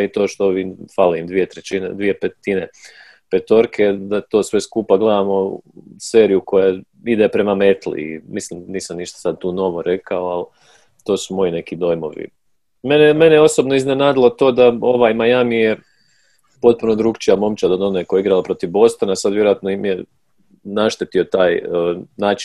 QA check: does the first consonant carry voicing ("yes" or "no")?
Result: no